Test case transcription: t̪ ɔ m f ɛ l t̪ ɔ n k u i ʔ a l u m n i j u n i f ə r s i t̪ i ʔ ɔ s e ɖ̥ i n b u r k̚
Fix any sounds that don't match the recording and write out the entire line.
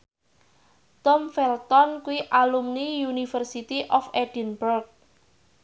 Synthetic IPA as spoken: t̪ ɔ m f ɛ l t̪ ɔ n k u i ʔ a l u m n i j u n i f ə r s i t̪ i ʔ ɔ f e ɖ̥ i n b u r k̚